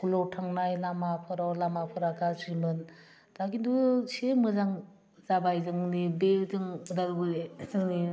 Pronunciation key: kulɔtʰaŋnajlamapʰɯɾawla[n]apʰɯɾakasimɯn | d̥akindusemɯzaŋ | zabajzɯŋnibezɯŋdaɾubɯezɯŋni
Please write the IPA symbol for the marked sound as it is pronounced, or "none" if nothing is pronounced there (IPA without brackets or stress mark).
m